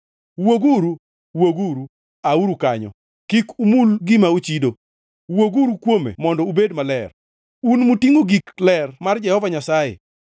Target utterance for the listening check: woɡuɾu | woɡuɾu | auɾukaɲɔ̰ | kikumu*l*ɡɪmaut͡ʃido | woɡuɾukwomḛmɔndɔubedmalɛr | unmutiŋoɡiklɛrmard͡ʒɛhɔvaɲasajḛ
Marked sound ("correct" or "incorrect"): correct